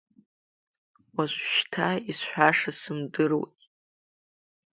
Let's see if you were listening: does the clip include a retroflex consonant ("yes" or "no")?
yes